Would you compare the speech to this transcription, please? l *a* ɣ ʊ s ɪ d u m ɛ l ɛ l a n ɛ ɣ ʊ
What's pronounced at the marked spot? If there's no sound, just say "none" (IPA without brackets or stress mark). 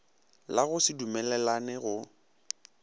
a